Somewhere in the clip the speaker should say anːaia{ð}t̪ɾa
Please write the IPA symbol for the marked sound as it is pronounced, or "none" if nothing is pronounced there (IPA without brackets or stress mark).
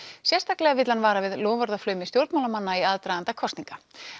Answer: ð